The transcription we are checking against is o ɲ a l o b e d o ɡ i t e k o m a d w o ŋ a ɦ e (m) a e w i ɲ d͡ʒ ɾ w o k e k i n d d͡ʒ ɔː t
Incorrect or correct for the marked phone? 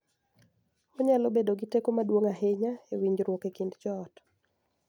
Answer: incorrect: ɲ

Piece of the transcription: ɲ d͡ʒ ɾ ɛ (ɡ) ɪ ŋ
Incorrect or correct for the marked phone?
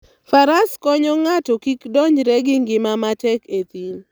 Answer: correct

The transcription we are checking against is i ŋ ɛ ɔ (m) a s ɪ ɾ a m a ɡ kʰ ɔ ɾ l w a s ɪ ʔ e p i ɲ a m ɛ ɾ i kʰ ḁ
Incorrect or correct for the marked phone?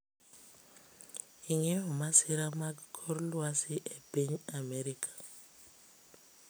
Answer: correct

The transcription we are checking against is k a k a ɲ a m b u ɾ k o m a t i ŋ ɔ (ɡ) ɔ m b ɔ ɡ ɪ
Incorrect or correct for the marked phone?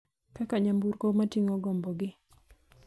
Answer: correct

